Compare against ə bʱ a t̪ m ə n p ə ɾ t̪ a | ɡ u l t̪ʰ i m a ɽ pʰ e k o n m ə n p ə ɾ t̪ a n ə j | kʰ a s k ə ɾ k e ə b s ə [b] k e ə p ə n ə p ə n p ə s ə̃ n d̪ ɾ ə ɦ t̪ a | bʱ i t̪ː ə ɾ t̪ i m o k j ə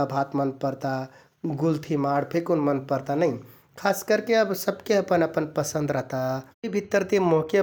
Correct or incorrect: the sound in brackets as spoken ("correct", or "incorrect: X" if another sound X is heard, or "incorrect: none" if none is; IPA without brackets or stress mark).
correct